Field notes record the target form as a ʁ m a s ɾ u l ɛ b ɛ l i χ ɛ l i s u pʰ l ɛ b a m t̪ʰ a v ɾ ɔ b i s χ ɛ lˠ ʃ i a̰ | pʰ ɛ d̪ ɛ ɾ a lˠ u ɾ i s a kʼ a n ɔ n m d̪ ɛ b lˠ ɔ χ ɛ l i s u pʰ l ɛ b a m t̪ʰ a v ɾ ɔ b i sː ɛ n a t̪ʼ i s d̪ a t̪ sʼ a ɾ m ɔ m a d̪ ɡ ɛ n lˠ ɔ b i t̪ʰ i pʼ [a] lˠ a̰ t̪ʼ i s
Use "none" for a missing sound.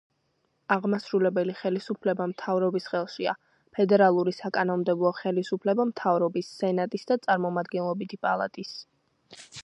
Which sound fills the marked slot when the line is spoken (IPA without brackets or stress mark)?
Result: a